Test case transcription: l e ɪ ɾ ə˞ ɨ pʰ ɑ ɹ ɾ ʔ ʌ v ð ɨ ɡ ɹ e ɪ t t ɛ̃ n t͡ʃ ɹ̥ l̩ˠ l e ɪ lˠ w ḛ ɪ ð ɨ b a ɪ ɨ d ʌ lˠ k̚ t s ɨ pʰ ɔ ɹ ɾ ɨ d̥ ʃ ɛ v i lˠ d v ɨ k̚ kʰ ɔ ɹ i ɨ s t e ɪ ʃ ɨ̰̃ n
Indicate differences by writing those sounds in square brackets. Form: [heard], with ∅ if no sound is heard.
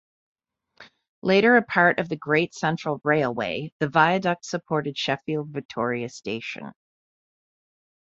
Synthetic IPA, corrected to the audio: l e ɪ ɾ ə˞ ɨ pʰ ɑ ɹ ɾ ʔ ʌ v ð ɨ ɡ ɹ e ɪ t [s] ɛ̃ n t͡ʃ ɹ̥ l̩ˠ [ɹ] e ɪ lˠ w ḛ ɪ ð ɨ [v] a ɪ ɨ d ʌ [∅] k̚ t s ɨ pʰ ɔ ɹ ɾ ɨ d̥ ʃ ɛ [f] i lˠ d v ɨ k̚ [tʰ] ɔ ɹ i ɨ s t e ɪ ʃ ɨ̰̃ n

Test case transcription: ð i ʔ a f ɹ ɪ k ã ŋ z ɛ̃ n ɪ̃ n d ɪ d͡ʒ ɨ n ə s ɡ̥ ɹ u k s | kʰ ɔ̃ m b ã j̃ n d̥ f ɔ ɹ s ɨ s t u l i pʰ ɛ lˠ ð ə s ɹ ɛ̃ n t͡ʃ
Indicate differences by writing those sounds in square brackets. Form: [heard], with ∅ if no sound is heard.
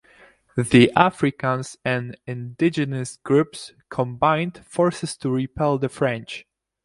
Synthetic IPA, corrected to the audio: ð i ʔ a f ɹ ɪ k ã [n] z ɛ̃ n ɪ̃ n d ɪ d͡ʒ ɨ n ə s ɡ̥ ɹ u [p] s | kʰ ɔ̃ m b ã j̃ n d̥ f ɔ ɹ s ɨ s t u [ɹ] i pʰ ɛ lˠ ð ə [f] ɹ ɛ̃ n t͡ʃ

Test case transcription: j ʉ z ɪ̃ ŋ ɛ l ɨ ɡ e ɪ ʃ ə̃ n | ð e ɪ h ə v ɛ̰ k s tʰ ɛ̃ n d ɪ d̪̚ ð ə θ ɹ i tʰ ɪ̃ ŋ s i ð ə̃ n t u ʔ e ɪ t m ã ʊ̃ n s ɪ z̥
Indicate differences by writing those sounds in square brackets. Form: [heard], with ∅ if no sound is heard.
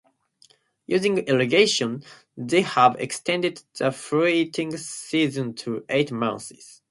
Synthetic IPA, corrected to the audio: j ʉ z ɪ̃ ŋ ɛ l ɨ ɡ e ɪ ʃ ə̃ n | ð e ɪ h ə v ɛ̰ k s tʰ ɛ̃ n d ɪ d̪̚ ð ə [f] ɹ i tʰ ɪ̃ ŋ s i [z] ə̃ n [tʰ] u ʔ e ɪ t m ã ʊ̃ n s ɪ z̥

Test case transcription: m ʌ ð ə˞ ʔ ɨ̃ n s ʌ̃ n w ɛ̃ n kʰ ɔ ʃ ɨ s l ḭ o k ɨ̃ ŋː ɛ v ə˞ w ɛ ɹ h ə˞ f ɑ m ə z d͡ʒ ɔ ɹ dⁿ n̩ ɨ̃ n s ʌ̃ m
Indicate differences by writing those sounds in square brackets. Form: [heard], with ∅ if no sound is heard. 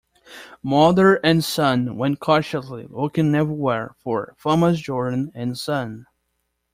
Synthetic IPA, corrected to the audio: m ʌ ð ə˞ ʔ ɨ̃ n s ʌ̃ n w ɛ̃ n kʰ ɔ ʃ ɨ s l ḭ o k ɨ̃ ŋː ɛ v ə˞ w ɛ ɹ [f] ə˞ f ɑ m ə z d͡ʒ ɔ ɹ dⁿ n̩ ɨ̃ n s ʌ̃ [n]

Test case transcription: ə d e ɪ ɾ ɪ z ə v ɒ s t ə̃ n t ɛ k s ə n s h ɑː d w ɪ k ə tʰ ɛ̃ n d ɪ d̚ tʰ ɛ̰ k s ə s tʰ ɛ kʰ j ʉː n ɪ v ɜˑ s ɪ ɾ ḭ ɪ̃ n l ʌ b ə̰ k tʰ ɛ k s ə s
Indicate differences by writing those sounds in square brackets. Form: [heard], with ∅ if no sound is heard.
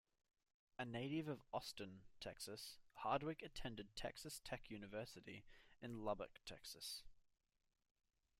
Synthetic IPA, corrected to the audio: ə [n] e ɪ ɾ ɪ [v] ə v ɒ s t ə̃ n [tʰ] ɛ k s ə [∅] s h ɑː d w ɪ k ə tʰ ɛ̃ n d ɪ d̚ tʰ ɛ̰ k s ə s tʰ ɛ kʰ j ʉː n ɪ v ɜˑ s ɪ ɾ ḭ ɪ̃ n l ʌ b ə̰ k tʰ ɛ k s ə s

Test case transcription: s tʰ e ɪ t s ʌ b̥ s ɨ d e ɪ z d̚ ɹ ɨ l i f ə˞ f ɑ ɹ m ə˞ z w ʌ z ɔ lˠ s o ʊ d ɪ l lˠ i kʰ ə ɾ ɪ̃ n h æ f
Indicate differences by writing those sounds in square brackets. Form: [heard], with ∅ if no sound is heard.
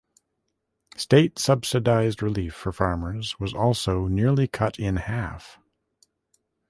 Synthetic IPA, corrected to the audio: s [t] e ɪ t s ʌ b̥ s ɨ d [a] ɪ z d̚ ɹ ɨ l i f ə˞ f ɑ ɹ m ə˞ z w ʌ z ɔ lˠ s o ʊ [n] ɪ [ɹ] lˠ i kʰ [ʌ] ɾ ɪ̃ n h æ f

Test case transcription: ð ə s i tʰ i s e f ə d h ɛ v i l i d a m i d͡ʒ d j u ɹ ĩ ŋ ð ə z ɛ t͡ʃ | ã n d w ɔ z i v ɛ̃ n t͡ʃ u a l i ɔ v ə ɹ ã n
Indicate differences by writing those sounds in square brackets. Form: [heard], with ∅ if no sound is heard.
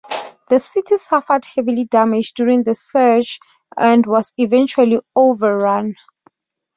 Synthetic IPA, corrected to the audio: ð ə s i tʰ i s [a] f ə d h ɛ v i l i d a m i d͡ʒ d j u ɹ ĩ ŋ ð ə [s] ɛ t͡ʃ | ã n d w ɔ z i v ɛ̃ n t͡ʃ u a l i [o] v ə ɹ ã n

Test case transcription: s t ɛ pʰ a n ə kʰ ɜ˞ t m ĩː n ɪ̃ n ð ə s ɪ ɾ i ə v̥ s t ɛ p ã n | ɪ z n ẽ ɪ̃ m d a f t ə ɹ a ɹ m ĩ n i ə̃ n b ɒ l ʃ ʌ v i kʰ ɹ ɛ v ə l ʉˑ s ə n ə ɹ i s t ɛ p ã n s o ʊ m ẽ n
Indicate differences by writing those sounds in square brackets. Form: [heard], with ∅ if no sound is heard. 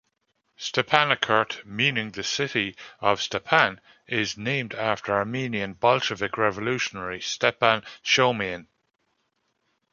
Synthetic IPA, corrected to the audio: s t ɛ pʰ a n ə kʰ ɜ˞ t m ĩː n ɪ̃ [ŋ] ð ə s ɪ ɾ i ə v̥ s t ɛ [pʰ] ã n | ɪ z n ẽ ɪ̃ m d a f t ə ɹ a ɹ m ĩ n i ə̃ n b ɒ l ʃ [ə] v [ɪ] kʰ ɹ ɛ v ə l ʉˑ [ʃ] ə n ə ɹ i s t ɛ p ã n [ʃ] o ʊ m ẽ n

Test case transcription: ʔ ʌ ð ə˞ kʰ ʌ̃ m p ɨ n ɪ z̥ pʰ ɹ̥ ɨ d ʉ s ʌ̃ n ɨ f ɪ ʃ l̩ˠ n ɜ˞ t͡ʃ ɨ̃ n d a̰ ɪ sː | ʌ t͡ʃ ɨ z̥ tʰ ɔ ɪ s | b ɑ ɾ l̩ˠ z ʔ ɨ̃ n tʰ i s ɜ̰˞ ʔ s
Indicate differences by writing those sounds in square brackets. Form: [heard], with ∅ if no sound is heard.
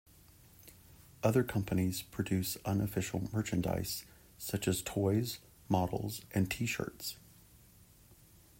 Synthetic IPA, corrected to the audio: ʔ ʌ ð ə˞ kʰ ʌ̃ m p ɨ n [i] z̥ pʰ ɹ̥ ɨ d ʉ s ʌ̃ n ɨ f ɪ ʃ l̩ˠ [m] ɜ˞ t͡ʃ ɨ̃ n d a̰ ɪ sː | ʌ t͡ʃ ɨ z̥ tʰ ɔ ɪ [z] | [m] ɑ ɾ l̩ˠ z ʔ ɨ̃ n tʰ i [ʃ] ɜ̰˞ [t] s

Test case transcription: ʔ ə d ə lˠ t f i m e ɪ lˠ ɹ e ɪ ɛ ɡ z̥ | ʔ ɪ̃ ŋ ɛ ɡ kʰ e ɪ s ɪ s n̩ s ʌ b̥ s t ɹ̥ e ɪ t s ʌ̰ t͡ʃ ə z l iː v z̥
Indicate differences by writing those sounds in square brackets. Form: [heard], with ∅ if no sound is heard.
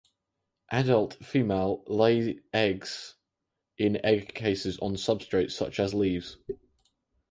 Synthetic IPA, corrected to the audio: ʔ [a] d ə lˠ t f [iː] m e ɪ lˠ [l] e ɪ ɛ ɡ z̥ | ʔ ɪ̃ [n] ɛ ɡ kʰ e ɪ s ɪ [z] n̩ s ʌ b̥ s t ɹ̥ e ɪ t s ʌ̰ t͡ʃ ə z l iː v z̥

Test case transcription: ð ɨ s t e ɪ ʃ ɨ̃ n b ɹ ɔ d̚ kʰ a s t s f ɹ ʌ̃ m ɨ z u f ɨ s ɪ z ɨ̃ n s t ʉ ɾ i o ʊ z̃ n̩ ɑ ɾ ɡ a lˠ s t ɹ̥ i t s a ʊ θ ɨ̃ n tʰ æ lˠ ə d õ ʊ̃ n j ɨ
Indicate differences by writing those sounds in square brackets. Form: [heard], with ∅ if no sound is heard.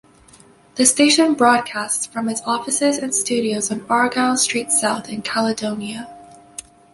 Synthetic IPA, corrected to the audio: ð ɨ s t e ɪ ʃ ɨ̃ n b ɹ ɔ d̚ kʰ [æ] s t s f ɹ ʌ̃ m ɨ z [ɔ] f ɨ s ɪ z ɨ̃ n s t ʉ ɾ i o ʊ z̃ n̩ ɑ [ɹ] ɡ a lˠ s t ɹ̥ i t s a ʊ θ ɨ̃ n [kʰ] æ lˠ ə d õ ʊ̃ n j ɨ

